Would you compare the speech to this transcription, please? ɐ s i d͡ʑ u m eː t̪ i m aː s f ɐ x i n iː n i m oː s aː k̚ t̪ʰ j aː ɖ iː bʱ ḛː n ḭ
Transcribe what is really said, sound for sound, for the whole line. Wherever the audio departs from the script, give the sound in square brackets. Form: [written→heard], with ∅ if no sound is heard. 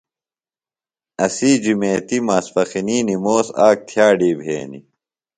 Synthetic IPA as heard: ɐ s i d͡ʑ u m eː t̪ i m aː s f ɐ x i n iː n i m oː s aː k̚ t̪ʰ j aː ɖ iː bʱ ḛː n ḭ